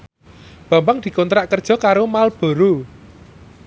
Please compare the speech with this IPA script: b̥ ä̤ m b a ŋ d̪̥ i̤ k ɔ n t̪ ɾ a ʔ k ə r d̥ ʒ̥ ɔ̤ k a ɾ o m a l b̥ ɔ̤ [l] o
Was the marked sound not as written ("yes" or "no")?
yes